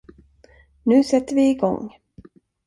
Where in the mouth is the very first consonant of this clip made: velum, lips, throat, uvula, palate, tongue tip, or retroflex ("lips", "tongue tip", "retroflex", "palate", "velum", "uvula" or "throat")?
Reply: tongue tip